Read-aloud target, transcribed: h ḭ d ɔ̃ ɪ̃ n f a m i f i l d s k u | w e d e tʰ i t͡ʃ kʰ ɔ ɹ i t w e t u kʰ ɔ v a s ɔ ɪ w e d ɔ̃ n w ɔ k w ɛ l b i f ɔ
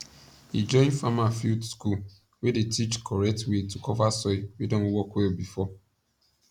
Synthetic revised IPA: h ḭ d͡ʒ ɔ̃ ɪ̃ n f a m a f i l d s k u | w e d e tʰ i t͡ʃ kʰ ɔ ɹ ɛ t w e t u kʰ ɔ v a s ɔ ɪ w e d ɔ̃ n w ɔ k w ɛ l b i f ɔ